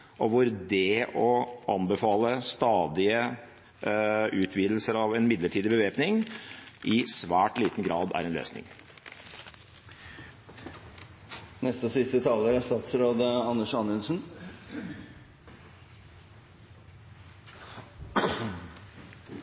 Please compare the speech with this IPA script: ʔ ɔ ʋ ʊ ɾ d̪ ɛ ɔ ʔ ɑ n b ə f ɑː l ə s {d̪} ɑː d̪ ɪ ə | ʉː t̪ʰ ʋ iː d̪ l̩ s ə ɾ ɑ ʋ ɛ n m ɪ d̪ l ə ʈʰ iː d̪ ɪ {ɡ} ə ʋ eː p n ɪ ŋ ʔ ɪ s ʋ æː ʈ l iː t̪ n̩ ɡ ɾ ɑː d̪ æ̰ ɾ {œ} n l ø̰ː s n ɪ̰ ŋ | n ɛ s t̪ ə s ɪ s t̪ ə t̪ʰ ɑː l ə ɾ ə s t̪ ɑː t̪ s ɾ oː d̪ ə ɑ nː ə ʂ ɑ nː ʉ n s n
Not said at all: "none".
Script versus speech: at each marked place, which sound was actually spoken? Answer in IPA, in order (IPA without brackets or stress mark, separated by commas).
t̪, b, ɛ